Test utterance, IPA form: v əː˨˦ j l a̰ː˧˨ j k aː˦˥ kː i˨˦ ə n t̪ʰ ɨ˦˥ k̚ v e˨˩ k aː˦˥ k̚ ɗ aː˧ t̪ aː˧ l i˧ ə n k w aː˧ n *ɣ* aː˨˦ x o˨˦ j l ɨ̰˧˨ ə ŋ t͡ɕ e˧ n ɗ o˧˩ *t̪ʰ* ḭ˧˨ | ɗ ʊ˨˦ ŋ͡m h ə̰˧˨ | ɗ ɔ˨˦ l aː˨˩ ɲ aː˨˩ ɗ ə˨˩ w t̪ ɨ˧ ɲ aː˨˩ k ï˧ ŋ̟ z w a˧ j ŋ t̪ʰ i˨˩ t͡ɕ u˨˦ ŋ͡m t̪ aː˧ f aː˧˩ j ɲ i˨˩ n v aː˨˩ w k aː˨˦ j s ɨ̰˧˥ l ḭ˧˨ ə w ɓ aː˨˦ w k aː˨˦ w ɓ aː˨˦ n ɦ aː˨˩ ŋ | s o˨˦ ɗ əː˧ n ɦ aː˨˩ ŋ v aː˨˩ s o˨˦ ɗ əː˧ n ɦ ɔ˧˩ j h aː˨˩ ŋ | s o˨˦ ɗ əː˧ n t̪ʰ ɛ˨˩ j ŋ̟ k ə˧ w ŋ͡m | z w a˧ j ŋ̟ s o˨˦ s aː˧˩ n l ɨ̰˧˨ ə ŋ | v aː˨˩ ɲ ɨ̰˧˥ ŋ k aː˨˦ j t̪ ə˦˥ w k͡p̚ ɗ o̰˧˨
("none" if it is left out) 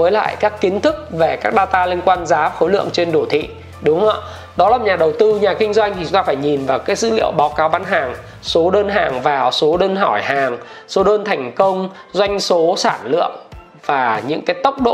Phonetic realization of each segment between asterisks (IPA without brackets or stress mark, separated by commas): z, t̪ʰ